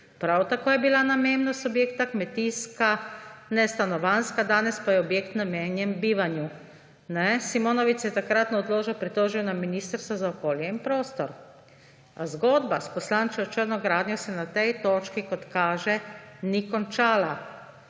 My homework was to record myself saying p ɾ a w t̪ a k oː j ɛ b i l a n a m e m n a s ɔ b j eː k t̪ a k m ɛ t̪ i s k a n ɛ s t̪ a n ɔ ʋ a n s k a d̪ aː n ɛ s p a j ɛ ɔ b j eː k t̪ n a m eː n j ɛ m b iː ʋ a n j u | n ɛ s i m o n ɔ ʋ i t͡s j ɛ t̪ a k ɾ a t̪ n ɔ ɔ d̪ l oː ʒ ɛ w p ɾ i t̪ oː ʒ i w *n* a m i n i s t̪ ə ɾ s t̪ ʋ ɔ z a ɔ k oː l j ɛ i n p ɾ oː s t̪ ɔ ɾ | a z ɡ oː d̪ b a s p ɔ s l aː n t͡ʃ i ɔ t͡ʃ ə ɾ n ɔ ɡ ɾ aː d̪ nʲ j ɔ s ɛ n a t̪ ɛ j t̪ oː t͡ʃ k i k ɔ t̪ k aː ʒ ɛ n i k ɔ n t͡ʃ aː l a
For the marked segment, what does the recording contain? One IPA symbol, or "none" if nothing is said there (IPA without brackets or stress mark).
n